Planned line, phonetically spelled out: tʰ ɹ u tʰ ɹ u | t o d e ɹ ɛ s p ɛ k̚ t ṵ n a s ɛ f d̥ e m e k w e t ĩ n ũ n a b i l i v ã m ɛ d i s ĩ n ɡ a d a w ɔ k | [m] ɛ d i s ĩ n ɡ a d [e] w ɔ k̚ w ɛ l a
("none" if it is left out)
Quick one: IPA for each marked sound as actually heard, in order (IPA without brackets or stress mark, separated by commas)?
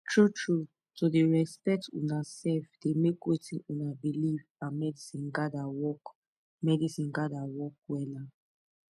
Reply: m, a